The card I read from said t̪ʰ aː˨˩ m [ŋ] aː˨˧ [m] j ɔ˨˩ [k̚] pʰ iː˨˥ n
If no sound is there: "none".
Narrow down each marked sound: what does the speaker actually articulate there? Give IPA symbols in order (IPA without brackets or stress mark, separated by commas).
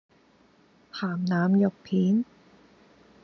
n, m, k̚